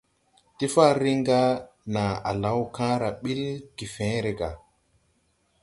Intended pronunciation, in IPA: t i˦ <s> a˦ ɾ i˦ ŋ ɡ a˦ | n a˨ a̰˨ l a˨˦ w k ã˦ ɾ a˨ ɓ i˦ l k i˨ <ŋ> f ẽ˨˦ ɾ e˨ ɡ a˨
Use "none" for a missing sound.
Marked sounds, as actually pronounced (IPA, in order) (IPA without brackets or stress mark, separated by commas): f, none